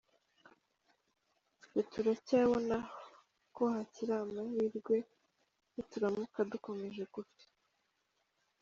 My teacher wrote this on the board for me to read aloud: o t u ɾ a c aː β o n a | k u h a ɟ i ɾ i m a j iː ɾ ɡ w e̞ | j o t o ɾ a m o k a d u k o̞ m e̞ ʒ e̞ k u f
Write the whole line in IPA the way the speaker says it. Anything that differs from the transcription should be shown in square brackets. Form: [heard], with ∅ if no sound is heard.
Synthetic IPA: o t u ɾ a c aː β o n a | k [o] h a [c] i ɾ [a] m a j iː ɾ ɡ w e̞ | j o t [u] ɾ a m [u] k a d u k o̞ m e̞ ʒ e̞ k u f